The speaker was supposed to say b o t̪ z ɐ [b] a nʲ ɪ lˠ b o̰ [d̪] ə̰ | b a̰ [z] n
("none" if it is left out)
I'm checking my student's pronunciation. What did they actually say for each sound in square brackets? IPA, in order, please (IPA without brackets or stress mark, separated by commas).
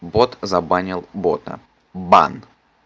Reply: b, t̪, none